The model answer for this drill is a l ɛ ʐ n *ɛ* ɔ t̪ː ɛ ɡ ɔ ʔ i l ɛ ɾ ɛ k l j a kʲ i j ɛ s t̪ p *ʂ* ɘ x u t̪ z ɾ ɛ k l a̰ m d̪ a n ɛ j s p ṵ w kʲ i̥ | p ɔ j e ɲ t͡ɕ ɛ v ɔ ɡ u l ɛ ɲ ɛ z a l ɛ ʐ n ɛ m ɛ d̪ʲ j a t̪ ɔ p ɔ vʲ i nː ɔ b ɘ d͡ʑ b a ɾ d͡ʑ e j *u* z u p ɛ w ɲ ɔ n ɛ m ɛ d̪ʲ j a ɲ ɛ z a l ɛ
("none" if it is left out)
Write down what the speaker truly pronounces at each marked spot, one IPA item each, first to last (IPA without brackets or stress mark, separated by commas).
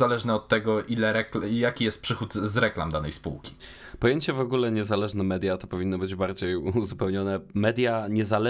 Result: ɛ, ʂ, u